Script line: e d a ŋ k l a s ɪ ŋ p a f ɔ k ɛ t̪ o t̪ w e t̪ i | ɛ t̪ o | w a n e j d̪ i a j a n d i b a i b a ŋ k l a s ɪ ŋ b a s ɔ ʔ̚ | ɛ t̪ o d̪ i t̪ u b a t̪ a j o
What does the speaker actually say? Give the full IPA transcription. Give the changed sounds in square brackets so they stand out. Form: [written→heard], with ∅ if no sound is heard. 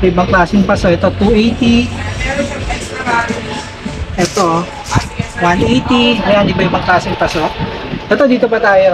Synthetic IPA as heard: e [d→b] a ŋ k l a s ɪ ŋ p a [f→s] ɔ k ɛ t̪ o t̪ [w→u] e t̪ i | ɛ t̪ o | w a n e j [d̪→t̪] i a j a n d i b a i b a ŋ k l a s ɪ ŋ [b→p] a s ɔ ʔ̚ | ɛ t̪ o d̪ i t̪ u [b→p] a t̪ a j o